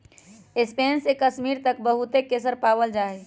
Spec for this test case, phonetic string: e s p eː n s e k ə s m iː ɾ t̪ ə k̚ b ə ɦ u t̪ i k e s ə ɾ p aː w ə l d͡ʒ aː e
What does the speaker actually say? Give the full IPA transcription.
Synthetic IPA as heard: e s p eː n s e k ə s m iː ɾ t̪ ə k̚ b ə ɦ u t̪ e k e s ə ɾ p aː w ə l d͡ʒ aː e

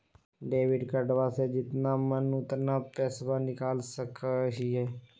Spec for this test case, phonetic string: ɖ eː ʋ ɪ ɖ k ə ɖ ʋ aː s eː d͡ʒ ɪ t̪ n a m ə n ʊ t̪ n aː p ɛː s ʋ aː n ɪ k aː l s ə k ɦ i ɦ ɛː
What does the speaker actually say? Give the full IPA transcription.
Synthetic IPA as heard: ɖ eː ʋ ɪ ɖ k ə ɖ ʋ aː s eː d͡ʒ ɪ t̪ n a m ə n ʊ t̪ n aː p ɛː s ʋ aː n ɪ k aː l s ə k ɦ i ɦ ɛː

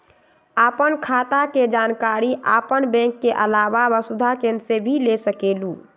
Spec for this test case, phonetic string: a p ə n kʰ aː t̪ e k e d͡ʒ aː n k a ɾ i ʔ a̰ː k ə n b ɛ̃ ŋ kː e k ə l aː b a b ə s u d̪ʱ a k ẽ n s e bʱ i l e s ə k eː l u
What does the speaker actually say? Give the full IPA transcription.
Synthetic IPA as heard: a p ə n kʰ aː t̪ a k e d͡ʒ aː n k a ɾ i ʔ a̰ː p ə n b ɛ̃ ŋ kː e ʔ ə l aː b a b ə s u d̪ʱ a k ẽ n s e bʱ i l e s ə k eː l u

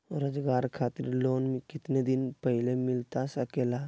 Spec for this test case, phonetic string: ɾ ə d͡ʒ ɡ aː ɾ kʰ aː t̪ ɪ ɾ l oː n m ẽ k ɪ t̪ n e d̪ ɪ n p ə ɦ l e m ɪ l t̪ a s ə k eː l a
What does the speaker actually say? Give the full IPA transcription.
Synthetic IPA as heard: ɾ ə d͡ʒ ɡ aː ɾ kʰ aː t̪ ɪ ɾ l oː n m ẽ k ɪ t̪ n e d̪ ɪ n p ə ɦ l e m ɪ l t̪ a s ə k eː l a

